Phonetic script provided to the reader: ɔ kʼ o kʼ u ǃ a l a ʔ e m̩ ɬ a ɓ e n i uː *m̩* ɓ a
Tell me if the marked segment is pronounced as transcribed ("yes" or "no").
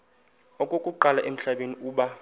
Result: no